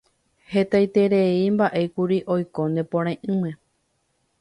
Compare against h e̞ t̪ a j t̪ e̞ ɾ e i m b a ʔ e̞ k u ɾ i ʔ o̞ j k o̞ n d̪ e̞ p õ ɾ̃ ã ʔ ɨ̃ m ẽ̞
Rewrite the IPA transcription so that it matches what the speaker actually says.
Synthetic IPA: h e̞ t̪ a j t̪ e̞ ɾ e i m b a ʔ e̞ k u ɾ i ʔ o̞ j k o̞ n d̪ e̞ p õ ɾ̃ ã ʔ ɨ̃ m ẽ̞